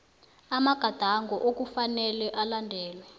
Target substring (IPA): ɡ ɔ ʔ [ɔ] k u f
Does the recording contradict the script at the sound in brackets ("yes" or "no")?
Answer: yes